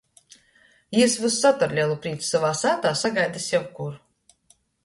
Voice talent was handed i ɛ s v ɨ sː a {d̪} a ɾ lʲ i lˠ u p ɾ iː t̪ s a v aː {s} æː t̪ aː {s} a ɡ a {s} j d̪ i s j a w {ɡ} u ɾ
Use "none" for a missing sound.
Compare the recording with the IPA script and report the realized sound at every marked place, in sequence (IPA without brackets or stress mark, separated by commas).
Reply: t̪, s, s, none, k